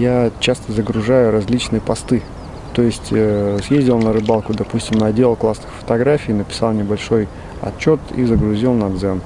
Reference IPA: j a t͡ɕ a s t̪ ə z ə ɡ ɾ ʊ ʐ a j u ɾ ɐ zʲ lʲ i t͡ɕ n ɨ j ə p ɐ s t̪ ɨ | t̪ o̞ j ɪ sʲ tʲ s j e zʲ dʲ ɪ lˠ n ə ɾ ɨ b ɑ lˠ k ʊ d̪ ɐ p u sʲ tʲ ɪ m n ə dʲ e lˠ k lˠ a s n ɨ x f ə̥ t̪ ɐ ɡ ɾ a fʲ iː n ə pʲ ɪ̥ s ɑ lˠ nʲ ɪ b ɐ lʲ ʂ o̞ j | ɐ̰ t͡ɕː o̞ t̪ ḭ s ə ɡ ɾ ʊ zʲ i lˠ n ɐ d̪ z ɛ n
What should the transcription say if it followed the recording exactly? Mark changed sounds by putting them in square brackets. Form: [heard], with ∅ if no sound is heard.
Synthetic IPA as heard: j a t͡ɕ a s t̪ ə z ə ɡ ɾ ʊ ʐ a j [ʊ] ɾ ɐ zʲ lʲ i t͡ɕ n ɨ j ə p ɐ s t̪ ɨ | t̪ o̞ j ɪ sʲ tʲ s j e zʲ dʲ ɪ lˠ n ə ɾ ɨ b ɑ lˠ k ʊ d̪ ɐ p u sʲ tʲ ɪ m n [ɐ] dʲ e lˠ k lˠ a s n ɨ x f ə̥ t̪ ɐ ɡ ɾ a fʲ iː n ə pʲ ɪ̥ s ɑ lˠ nʲ ɪ b ɐ lʲ ʂ o̞ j | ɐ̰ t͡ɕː o̞ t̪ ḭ [z] ə ɡ ɾ ʊ zʲ i lˠ n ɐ d̪ z ɛ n

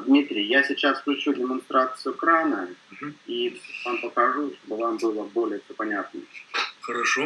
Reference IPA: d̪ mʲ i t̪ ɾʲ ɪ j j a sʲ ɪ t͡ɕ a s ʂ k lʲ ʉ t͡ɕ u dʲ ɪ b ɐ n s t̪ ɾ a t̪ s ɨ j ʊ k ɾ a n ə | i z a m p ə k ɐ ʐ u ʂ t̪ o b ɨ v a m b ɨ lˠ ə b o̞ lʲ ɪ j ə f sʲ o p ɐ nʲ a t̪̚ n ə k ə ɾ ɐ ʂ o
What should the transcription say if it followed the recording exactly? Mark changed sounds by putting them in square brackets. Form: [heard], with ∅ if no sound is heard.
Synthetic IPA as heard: d̪ mʲ i t̪ ɾʲ ɪ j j a sʲ ɪ t͡ɕ a s [f] k lʲ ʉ t͡ɕ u dʲ ɪ [m] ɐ n s t̪ ɾ a t̪ s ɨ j ʊ k ɾ a n ə | i [v] a m p ə k ɐ ʐ u ʂ t̪ o b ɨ v a m b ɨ lˠ ə b o̞ lʲ ɪ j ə f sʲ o p ɐ nʲ a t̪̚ n ə [x] ə ɾ ɐ ʂ o

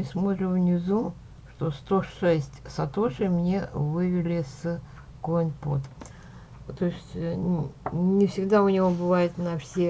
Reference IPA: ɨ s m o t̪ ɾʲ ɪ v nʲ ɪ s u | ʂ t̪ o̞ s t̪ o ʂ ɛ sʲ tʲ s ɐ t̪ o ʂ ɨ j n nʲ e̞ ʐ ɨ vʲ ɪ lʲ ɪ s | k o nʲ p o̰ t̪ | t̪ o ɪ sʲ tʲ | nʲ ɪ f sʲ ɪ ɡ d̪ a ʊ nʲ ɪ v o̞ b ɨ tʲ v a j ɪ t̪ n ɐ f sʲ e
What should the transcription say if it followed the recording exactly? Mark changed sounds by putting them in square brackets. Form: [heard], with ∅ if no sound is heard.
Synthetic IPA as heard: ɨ s m o t̪ ɾʲ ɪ v nʲ ɪ [z] u | ʂ t̪ o̞ s t̪ o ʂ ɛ sʲ tʲ s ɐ t̪ o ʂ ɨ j [m] nʲ e̞ [v] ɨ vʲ ɪ lʲ ɪ s | k o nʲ p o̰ t̪ | t̪ o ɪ sʲ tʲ | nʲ ɪ f sʲ ɪ ɡ d̪ a ʊ nʲ ɪ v o̞ b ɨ [∅] v a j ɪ t̪ n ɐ f sʲ e

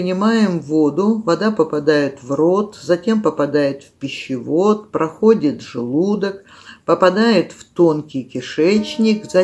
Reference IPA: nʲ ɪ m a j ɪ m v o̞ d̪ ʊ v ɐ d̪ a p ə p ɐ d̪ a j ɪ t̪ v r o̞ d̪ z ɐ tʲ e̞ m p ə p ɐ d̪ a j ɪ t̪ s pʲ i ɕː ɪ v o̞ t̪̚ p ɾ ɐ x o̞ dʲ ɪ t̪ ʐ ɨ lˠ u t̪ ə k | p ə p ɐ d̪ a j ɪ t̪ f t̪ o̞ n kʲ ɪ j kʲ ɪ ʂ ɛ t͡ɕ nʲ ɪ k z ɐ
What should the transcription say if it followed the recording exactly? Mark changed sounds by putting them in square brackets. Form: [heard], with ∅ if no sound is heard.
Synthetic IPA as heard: nʲ ɪ m a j ɪ m v o̞ d̪ ʊ v ɐ d̪ a p ə p ɐ d̪ a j ɪ t̪ v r o̞ [t̪] z ɐ tʲ e̞ m p ə p ɐ d̪ a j ɪ t̪ [f] pʲ [ɪ] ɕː ɪ v o̞ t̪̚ p ɾ ɐ x o̞ dʲ ɪ t̪ ʐ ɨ lˠ u [d̪] ə k | p ə p ɐ d̪ a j ɪ t̪ f t̪ o̞ n kʲ ɪ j kʲ ɪ ʂ ɛ t͡ɕ nʲ ɪ k z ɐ

